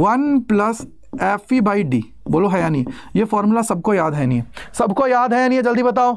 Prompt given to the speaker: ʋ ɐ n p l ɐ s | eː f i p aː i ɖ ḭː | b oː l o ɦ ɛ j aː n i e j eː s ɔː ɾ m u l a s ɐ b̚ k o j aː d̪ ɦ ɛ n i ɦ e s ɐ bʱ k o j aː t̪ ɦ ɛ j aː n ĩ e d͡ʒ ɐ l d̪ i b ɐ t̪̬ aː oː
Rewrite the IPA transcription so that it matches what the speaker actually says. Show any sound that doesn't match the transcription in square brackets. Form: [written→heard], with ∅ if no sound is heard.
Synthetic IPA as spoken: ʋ ɐ n p l ɐ s | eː f i [p→b] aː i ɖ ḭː | b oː l o ɦ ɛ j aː n i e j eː [s→f] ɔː ɾ m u l a s ɐ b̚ k o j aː d̪ ɦ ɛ n i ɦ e s ɐ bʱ k o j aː [t̪→d̪] ɦ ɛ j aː n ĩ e d͡ʒ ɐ l d̪ i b ɐ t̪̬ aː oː